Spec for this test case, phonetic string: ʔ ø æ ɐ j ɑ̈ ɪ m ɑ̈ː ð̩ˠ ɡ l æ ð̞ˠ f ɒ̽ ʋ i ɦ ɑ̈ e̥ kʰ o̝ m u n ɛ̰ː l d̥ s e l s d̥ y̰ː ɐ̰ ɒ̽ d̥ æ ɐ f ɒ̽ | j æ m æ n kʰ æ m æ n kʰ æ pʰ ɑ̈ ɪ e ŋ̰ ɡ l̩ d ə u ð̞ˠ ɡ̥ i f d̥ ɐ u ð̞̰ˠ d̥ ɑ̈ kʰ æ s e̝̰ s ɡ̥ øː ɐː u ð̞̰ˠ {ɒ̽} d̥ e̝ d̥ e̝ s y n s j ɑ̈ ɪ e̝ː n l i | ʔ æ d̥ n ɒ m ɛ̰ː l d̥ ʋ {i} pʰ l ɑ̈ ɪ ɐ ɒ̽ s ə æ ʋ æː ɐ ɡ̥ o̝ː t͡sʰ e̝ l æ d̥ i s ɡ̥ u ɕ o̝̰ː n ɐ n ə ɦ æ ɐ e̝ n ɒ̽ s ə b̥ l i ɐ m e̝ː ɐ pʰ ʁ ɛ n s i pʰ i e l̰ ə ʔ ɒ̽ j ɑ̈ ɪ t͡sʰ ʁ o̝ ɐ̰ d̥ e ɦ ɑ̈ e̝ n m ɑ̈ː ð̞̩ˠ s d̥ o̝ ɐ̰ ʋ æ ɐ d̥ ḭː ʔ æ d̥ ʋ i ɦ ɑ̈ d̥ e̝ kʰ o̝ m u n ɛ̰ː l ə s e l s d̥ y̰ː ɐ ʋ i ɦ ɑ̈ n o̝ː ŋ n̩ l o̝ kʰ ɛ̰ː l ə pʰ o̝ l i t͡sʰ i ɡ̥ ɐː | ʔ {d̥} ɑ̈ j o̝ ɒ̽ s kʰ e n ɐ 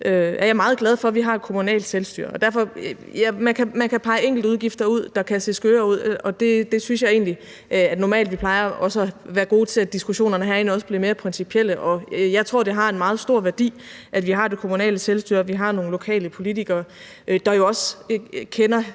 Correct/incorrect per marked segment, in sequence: correct, correct, correct

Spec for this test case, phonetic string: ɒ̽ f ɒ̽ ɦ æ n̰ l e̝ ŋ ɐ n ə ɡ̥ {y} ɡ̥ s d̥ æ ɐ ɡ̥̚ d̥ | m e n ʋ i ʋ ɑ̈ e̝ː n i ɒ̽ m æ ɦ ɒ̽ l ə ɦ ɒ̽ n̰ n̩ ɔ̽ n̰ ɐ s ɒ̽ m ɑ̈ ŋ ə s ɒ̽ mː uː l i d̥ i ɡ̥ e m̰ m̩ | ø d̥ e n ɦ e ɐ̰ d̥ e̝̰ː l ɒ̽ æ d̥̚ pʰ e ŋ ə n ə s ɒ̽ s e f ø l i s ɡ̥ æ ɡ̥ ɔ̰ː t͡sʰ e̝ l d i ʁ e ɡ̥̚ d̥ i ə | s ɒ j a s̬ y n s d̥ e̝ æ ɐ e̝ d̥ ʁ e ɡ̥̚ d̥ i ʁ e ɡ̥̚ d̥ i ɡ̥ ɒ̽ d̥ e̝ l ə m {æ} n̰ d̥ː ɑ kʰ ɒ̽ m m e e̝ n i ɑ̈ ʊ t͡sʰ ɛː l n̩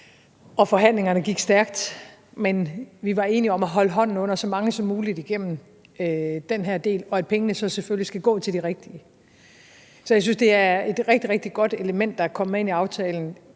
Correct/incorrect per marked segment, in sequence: incorrect, incorrect

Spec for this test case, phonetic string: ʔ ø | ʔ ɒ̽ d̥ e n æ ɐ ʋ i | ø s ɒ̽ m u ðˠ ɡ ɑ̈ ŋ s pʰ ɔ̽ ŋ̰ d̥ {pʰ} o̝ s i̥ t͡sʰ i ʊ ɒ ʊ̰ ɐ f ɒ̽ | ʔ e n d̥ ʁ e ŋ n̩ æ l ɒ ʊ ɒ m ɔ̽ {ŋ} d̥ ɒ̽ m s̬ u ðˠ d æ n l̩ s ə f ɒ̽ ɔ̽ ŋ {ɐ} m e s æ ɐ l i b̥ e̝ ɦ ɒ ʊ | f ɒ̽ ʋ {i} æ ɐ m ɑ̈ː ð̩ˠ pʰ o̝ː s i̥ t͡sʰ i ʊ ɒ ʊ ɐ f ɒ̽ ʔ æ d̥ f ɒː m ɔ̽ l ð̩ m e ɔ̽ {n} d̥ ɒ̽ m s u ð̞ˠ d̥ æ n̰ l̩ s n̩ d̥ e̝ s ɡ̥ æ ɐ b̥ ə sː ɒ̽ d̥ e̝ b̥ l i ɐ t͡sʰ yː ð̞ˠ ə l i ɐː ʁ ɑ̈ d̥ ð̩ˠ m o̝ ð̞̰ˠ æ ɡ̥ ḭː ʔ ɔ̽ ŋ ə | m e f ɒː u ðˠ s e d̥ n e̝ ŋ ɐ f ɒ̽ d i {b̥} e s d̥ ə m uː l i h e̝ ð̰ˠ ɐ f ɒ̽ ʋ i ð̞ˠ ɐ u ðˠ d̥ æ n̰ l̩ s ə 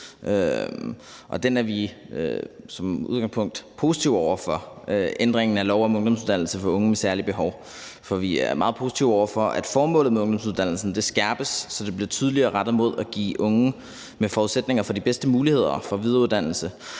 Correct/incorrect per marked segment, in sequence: correct, correct, incorrect, correct, incorrect, correct

